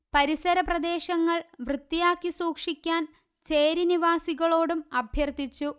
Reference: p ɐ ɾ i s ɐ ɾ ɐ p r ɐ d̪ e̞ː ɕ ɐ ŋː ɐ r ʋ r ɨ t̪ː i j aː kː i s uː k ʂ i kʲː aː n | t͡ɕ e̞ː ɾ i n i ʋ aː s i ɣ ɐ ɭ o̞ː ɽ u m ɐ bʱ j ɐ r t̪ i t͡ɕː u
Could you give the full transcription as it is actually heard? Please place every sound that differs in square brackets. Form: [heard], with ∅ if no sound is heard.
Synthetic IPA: p ɐ ɾ i s ɐ ɾ ɐ p r ɐ d̪ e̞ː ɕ ɐ ŋː ɐ [ɭ] ʋ r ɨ t̪ː i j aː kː i s uː k ʂ i kʲː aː n | t͡ɕ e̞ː ɾ i n i ʋ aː s i ɣ ɐ ɭ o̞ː ɽ u m ɐ bʱ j ɐ r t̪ i t͡ɕː u